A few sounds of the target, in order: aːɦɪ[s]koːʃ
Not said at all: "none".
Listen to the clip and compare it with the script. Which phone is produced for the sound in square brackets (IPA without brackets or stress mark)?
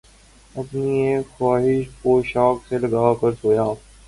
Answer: ʃ